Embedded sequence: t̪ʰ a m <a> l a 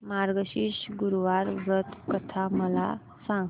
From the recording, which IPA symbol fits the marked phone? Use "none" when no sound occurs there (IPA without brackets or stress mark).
ə